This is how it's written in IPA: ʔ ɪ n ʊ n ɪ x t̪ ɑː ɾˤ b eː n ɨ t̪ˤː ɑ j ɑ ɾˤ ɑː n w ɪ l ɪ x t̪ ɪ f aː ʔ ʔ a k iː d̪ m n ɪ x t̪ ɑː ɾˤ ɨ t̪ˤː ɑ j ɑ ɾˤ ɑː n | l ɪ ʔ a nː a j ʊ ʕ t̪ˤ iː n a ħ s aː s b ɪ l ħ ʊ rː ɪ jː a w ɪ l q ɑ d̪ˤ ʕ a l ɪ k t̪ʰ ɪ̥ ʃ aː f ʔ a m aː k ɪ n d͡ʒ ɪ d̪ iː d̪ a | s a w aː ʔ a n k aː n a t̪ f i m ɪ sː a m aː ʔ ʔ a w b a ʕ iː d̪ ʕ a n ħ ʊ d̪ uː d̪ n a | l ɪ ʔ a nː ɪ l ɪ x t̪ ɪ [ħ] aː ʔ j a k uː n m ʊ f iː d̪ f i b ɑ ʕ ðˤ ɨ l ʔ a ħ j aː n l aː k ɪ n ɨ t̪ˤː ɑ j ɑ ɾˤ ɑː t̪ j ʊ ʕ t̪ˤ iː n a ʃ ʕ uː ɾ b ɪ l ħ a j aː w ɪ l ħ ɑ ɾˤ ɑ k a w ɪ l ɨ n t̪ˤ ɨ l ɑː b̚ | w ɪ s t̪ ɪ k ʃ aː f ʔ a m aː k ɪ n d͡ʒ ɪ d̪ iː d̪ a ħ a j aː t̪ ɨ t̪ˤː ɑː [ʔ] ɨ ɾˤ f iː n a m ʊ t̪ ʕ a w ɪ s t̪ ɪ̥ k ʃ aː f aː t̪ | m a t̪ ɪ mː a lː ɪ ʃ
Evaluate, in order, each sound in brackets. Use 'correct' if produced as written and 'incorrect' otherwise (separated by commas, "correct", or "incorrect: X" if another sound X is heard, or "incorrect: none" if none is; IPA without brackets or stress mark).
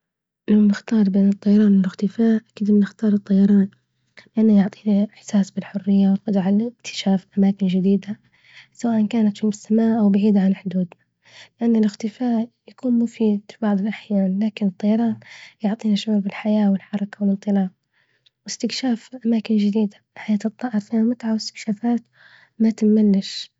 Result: incorrect: f, correct